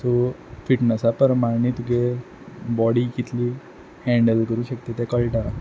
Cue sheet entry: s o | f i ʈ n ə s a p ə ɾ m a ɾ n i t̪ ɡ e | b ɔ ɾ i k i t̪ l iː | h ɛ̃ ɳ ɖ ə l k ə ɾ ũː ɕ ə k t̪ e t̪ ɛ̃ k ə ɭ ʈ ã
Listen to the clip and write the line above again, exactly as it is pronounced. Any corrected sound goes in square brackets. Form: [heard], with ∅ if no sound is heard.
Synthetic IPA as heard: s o | f i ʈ n ə s a p ə ɾ m a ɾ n i t̪ ɡ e | b ɔ [ɽ] i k i t̪ l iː | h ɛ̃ ɳ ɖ ə l k ə ɾ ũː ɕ ə k t̪ e t̪ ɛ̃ k ə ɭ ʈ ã